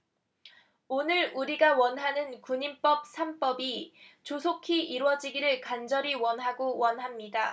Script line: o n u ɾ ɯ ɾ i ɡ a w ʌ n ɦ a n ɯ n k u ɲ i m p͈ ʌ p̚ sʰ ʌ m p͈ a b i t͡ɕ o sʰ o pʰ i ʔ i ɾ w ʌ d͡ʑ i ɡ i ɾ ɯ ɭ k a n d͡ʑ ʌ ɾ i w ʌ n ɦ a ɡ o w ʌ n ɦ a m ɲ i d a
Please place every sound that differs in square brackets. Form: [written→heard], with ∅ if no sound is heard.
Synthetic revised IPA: o n [u→ɯ] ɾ [ɯ→u] ɾ i ɡ a w ʌ n ɦ a n ɯ n k u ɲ i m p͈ ʌ p̚ sʰ [ʌ→a] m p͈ [a→ʌ] b i t͡ɕ o sʰ o [pʰ→kʰ] i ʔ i ɾ w ʌ d͡ʑ i ɡ i ɾ ɯ ɭ k a n d͡ʑ ʌ ɾ i w ʌ n ɦ a ɡ o w ʌ n ɦ a m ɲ i d a